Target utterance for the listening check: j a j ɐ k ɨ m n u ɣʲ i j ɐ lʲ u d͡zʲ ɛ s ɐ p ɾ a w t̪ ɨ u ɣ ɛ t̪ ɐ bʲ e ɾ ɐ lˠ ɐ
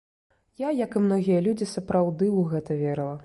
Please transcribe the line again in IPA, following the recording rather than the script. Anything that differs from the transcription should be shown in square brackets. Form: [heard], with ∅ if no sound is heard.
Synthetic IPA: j a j ɐ k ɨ m n [ɔ] ɣʲ i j ɐ lʲ u d͡zʲ [i] s ɐ p ɾ a w [d̪] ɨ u ɣ ɛ t̪ ɐ [vʲ] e ɾ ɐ lˠ ɐ